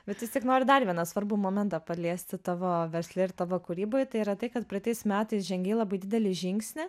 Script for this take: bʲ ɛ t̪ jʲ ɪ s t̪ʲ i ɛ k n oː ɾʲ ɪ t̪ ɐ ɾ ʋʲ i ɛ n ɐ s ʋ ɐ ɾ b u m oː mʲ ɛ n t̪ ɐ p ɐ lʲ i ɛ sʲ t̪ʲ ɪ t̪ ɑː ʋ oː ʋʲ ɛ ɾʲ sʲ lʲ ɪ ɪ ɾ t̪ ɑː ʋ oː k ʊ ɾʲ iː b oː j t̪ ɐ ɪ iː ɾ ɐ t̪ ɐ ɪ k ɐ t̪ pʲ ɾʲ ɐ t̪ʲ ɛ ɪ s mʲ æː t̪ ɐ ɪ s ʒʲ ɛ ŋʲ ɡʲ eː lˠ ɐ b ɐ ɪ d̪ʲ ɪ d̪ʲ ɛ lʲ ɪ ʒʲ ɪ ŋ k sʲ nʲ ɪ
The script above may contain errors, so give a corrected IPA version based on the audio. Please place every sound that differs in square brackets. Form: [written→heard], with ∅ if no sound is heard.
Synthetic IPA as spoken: bʲ ɛ t̪ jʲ ɪ s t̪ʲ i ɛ k n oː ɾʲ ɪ [t̪→d̪] ɐ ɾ ʋʲ i ɛ n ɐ s ʋ ɐ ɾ b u m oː mʲ ɛ n t̪ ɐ p ɐ lʲ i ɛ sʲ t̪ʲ ɪ t̪ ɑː ʋ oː ʋʲ ɛ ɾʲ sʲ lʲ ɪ ɪ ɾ t̪ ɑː ʋ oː k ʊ ɾʲ iː b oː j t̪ ɐ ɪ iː ɾ ɐ t̪ ɐ ɪ k ɐ t̪ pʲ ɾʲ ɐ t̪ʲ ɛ ɪ s mʲ æː t̪ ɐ ɪ s ʒʲ ɛ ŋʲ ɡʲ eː lˠ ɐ b ɐ ɪ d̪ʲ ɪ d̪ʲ ɛ lʲ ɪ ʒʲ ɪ ŋ k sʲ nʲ ɪ